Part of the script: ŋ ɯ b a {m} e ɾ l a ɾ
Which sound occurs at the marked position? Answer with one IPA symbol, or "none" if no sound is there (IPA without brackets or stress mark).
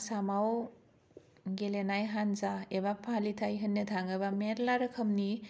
m